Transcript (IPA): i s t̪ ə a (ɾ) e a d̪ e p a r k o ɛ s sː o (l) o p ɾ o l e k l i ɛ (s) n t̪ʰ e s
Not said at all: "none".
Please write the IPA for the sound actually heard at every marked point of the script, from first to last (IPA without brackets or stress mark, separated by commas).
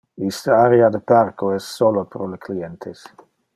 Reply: ɾ, l, none